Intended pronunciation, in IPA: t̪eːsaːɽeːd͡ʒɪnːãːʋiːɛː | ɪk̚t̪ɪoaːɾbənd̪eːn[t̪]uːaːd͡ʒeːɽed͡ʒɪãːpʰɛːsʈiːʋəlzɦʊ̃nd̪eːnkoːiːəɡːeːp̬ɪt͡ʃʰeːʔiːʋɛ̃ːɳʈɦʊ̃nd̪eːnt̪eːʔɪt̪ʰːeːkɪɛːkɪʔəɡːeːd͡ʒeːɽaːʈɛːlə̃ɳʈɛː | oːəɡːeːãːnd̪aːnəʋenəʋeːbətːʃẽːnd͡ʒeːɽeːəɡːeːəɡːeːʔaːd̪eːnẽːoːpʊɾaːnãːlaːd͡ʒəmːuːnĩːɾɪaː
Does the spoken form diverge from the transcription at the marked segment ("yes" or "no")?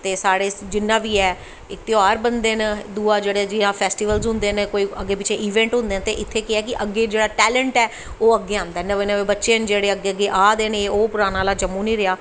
yes